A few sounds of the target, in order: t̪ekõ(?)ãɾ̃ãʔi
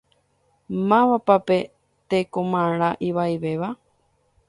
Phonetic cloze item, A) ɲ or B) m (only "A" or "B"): B